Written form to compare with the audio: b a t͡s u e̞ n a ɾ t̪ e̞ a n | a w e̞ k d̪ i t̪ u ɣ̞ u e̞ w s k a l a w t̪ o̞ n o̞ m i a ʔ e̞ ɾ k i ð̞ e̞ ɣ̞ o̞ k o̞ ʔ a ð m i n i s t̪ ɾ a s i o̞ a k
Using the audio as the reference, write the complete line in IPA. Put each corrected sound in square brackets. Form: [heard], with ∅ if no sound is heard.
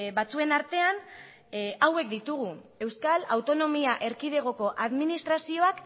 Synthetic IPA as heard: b a t͡s u e̞ n a ɾ t̪ e̞ a n | a w e̞ k d̪ i t̪ u ɣ̞ u e̞ w s k a l a w t̪ o̞ n o̞ m i a ʔ e̞ ɾ k i ð̞ e̞ ɣ̞ o̞ k o̞ ʔ a ð m i n i s t̪ ɾ a s i o̞ a k